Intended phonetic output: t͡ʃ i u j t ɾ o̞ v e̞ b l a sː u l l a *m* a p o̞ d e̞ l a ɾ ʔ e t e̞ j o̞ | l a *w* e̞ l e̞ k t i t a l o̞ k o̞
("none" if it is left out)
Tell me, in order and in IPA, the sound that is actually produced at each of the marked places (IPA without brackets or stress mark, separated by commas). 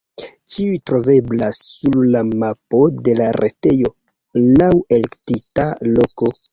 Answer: m, w